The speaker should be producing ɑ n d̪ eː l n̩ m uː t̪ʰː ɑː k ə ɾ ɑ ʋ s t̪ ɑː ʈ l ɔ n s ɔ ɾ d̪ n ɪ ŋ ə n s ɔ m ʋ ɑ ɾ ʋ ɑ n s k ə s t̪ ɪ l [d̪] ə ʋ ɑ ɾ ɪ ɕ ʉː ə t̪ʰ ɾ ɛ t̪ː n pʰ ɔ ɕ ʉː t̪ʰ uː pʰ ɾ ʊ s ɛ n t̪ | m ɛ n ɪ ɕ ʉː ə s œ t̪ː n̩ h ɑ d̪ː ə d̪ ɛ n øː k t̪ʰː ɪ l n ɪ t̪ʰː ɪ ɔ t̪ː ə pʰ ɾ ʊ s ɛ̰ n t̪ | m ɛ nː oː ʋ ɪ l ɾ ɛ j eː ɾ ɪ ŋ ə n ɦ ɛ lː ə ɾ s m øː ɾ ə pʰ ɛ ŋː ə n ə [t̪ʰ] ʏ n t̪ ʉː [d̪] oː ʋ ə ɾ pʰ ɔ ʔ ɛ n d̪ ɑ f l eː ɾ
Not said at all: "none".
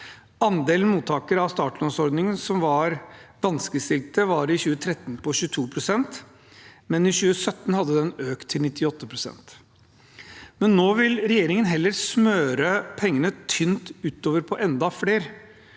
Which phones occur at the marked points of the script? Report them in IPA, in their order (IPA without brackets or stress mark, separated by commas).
t̪, t̪ʰ, t̪